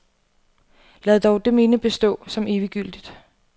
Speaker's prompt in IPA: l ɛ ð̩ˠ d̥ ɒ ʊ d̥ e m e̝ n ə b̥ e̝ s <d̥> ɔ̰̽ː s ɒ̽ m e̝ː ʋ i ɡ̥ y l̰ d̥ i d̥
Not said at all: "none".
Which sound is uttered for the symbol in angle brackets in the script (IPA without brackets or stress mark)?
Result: d̥